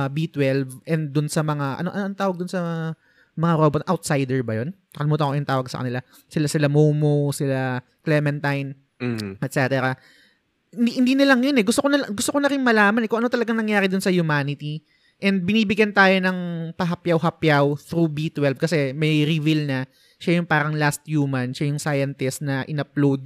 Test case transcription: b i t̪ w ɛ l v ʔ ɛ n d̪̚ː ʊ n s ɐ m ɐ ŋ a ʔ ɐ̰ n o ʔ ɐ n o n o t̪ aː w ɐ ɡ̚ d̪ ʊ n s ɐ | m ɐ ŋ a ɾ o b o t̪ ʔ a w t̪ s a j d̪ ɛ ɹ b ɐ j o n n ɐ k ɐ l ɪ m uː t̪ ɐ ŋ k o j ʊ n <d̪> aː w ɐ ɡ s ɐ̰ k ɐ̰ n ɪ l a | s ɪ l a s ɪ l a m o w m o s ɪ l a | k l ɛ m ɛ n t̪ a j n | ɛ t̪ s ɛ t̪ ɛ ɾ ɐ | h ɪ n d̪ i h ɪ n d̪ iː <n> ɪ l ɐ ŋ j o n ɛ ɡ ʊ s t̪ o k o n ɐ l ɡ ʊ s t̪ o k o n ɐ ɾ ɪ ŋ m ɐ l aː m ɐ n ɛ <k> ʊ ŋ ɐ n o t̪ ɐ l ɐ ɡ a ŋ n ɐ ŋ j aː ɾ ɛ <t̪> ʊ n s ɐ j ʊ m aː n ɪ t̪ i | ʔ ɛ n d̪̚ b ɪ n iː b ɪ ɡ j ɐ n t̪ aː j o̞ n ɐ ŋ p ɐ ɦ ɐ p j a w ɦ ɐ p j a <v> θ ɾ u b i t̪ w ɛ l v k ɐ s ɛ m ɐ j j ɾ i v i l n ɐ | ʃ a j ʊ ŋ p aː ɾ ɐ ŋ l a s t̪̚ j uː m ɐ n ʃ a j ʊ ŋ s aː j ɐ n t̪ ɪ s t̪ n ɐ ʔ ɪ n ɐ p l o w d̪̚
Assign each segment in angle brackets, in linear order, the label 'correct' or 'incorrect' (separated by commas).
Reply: incorrect, correct, correct, incorrect, incorrect